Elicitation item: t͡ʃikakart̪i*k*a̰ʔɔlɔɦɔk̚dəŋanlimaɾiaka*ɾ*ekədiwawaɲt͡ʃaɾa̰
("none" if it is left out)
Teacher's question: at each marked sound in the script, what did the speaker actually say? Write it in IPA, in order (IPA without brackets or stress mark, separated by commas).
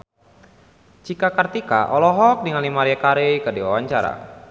k, ɾ